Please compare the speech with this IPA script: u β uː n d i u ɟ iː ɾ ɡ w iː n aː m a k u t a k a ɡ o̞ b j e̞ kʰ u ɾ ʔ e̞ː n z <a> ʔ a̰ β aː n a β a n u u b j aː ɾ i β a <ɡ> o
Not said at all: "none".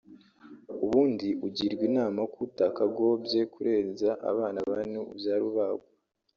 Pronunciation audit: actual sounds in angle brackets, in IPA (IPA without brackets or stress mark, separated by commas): a, ɡ